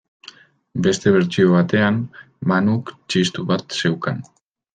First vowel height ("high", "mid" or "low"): mid